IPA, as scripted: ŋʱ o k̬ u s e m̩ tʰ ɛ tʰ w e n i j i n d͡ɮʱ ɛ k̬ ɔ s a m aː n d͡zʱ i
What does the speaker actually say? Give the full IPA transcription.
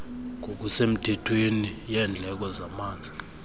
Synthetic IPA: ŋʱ o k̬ u s e m̩ tʰ ɛ tʰ w e n i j ɛ n d͡ɮʱ ɛ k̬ ɔ z a m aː n d͡zʱ i